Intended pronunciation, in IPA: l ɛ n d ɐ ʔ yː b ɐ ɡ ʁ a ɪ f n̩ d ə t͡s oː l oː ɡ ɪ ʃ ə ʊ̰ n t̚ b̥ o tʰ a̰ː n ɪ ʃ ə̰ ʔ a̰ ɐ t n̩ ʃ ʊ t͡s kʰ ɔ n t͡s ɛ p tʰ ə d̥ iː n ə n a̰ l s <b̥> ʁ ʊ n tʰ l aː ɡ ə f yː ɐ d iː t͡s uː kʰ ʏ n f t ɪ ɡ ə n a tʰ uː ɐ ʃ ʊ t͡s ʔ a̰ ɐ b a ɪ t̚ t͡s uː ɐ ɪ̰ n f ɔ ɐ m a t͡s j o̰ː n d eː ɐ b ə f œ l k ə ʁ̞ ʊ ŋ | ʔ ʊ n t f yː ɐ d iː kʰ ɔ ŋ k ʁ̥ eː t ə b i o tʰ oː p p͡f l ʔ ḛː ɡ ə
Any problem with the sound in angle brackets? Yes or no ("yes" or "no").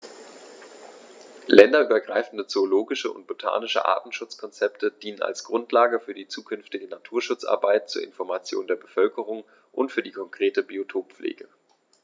yes